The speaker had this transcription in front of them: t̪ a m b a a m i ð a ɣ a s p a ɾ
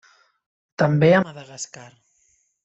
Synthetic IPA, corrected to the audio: t̪ a m b e a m a ð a ɣ a s k a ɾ